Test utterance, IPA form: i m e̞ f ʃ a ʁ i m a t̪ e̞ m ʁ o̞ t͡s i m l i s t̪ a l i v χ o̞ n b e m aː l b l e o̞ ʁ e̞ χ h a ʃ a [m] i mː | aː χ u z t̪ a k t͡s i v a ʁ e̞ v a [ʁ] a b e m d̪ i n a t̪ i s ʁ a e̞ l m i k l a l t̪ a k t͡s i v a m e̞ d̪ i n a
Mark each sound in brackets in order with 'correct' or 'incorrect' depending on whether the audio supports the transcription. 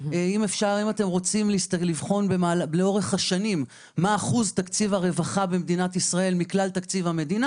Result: incorrect, incorrect

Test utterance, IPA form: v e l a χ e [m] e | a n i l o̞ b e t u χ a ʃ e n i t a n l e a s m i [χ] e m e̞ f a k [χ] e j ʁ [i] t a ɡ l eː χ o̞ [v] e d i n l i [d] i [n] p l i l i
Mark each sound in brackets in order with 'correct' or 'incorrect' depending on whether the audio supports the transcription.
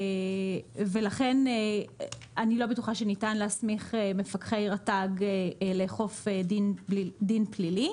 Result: incorrect, correct, correct, incorrect, incorrect, correct, correct

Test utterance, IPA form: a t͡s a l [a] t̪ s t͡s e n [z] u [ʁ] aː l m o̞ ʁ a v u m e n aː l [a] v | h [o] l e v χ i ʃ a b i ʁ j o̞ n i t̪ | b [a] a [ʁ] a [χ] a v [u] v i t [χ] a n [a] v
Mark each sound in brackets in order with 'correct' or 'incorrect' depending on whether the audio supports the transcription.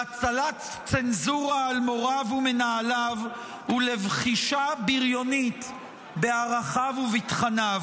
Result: correct, correct, correct, correct, incorrect, incorrect, correct, correct, correct, correct, correct

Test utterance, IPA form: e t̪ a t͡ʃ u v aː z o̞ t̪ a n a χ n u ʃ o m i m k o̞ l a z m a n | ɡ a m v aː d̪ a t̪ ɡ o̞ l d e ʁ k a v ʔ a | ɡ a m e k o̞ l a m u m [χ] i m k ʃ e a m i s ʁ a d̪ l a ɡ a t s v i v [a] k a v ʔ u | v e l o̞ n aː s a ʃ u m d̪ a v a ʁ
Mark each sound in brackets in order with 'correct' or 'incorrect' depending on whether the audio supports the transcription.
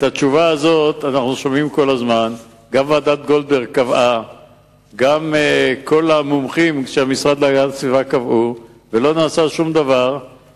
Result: correct, correct

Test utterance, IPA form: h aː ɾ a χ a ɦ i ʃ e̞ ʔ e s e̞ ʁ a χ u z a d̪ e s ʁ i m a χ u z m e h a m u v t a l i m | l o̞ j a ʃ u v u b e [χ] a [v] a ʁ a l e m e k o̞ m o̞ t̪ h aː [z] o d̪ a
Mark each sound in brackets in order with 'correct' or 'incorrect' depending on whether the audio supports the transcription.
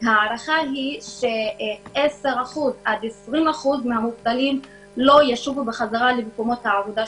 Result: correct, incorrect, incorrect

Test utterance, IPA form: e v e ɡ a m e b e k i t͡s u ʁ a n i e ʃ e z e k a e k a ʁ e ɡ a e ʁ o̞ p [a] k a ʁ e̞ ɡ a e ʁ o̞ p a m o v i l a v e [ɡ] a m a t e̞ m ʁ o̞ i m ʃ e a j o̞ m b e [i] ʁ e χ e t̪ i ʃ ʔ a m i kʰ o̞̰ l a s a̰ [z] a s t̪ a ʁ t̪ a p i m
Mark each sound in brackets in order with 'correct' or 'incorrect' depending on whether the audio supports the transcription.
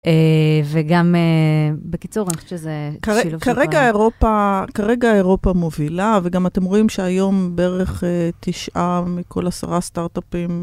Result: correct, correct, incorrect, incorrect

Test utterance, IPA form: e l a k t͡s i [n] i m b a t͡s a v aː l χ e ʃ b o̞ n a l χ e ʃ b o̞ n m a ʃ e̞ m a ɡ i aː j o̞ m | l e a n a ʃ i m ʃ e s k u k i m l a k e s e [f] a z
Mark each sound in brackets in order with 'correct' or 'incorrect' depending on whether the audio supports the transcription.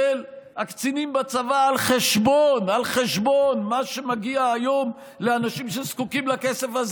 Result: correct, correct

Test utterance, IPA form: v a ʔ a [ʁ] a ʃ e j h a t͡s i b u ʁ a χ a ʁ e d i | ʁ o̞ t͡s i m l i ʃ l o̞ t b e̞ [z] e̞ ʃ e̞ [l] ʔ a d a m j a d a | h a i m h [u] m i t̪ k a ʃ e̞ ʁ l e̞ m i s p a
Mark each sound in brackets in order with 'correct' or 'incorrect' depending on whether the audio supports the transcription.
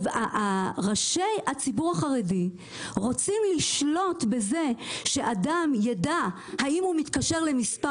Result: correct, correct, incorrect, correct

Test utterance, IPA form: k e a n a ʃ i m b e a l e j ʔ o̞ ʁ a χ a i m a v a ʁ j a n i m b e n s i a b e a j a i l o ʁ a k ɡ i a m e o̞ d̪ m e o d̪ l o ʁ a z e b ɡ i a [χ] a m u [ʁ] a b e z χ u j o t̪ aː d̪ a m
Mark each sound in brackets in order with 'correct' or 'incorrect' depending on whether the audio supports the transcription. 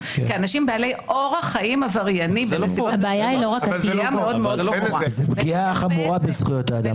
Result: correct, correct

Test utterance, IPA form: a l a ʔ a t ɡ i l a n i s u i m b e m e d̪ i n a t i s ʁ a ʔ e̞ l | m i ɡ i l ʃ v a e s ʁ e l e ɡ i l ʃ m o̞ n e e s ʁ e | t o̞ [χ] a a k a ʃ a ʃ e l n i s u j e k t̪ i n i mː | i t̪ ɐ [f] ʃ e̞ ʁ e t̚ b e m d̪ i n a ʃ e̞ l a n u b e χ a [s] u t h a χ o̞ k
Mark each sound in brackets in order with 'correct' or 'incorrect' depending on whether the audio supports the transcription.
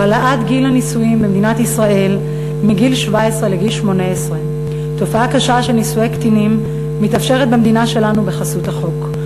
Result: incorrect, correct, correct

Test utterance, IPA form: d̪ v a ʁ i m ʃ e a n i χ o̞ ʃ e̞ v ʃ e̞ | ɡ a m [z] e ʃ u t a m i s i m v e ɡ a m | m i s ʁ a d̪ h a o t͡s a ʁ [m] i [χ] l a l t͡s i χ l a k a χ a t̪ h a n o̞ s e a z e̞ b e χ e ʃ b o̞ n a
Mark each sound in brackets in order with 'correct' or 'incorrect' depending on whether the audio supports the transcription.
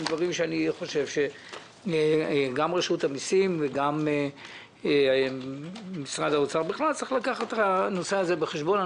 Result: incorrect, incorrect, correct

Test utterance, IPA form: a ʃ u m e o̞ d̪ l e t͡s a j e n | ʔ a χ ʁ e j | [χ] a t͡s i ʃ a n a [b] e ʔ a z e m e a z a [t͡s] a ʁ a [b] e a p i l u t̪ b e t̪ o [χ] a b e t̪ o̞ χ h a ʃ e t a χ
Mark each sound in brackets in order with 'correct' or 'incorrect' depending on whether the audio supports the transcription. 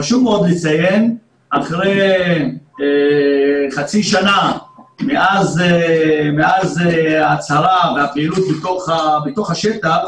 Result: correct, incorrect, correct, incorrect, correct

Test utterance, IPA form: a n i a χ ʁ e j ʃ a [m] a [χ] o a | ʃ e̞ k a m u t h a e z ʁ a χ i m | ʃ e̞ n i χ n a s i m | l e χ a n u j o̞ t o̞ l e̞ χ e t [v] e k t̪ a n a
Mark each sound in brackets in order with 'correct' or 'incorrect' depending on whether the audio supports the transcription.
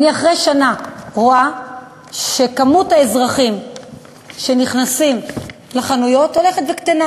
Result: incorrect, incorrect, correct

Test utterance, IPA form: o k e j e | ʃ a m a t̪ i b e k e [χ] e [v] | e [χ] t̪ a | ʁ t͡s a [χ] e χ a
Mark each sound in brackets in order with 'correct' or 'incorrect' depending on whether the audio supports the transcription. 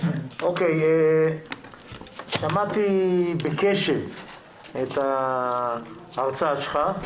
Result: incorrect, correct, incorrect, incorrect

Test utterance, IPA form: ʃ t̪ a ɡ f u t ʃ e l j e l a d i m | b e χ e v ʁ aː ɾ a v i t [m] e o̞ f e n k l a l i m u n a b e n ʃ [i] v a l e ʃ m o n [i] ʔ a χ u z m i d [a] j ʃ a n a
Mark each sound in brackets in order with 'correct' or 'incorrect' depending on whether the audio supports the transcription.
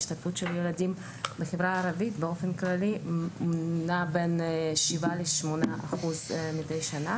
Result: incorrect, correct, incorrect, incorrect

